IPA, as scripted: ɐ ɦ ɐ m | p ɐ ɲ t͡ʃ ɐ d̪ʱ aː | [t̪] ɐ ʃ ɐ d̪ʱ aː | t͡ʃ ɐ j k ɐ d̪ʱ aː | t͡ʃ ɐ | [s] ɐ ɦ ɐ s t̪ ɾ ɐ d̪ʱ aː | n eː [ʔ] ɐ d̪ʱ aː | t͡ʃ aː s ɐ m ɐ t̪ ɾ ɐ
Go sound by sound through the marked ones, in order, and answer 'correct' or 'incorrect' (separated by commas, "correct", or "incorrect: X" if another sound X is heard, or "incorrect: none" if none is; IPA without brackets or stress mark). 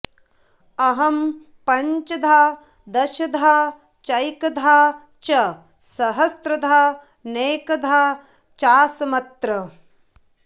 incorrect: d̪, correct, incorrect: k